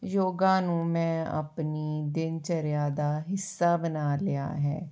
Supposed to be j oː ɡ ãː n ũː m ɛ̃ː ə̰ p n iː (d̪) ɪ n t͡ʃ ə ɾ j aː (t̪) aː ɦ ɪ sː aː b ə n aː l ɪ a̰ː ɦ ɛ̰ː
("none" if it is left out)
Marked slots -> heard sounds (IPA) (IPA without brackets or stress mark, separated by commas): d̪, d̪